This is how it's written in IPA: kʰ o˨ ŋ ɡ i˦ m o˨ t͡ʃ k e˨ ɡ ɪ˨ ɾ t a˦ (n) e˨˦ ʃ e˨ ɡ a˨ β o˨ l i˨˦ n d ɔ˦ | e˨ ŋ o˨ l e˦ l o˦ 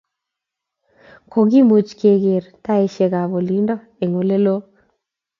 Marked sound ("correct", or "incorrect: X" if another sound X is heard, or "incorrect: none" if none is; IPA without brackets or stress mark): incorrect: none